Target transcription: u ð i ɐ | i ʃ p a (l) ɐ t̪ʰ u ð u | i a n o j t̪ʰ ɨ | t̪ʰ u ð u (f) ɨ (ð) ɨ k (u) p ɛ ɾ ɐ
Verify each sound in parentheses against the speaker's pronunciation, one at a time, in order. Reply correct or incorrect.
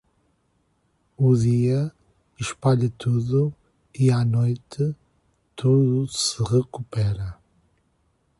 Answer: incorrect, incorrect, incorrect, correct

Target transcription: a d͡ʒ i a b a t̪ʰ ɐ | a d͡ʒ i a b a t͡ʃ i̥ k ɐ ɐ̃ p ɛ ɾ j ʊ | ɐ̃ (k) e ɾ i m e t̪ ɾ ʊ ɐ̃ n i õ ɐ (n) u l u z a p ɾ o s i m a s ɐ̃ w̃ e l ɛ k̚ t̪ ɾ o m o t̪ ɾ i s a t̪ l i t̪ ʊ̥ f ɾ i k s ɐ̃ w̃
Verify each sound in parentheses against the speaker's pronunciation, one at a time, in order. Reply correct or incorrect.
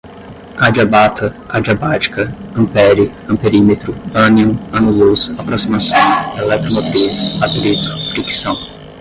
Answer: incorrect, correct

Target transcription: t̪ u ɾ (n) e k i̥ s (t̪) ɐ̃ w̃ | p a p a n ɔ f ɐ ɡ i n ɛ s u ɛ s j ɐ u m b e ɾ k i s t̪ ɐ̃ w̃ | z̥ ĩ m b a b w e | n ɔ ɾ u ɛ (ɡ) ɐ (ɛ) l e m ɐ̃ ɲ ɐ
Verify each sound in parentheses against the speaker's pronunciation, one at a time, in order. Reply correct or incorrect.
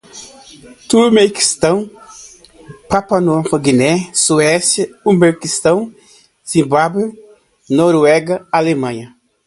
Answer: incorrect, correct, correct, incorrect

